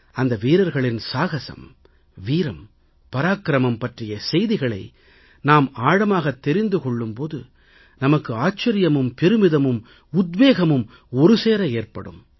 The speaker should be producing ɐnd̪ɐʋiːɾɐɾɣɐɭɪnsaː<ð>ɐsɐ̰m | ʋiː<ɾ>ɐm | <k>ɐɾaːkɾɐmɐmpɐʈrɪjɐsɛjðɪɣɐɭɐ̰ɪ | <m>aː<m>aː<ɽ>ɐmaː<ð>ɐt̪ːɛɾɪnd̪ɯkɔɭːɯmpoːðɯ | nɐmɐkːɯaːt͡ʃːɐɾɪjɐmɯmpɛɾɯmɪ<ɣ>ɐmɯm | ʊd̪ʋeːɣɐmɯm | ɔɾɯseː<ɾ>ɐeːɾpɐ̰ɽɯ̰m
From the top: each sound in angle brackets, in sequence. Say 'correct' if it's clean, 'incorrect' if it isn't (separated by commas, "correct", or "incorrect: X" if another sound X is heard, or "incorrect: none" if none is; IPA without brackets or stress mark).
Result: incorrect: ɣ, correct, incorrect: p, incorrect: n, correct, correct, incorrect: ɣ, incorrect: ð, correct